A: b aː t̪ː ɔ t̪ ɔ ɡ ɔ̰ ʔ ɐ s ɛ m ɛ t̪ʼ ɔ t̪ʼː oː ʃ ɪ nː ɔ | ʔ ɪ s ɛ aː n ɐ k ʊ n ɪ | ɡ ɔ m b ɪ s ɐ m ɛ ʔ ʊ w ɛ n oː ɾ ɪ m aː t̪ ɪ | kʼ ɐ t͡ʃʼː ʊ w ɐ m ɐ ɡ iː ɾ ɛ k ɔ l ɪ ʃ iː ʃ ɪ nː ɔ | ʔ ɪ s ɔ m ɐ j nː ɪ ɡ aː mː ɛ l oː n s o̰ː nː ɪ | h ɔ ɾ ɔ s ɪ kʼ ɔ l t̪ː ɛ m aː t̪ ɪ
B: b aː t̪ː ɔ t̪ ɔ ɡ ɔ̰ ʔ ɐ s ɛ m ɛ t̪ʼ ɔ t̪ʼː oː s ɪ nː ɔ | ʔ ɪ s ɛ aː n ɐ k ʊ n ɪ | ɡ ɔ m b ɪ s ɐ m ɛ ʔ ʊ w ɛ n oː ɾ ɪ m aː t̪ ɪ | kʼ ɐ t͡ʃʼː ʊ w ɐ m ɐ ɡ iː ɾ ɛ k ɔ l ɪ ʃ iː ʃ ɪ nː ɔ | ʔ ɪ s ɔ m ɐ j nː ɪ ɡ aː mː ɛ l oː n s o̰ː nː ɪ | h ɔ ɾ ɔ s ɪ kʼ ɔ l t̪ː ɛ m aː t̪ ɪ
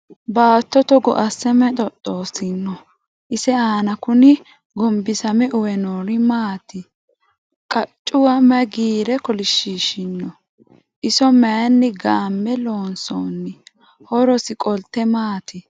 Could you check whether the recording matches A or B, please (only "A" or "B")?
B